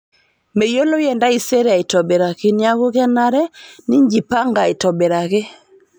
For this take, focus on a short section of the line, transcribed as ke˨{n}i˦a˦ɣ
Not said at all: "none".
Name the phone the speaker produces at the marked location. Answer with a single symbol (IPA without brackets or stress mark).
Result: n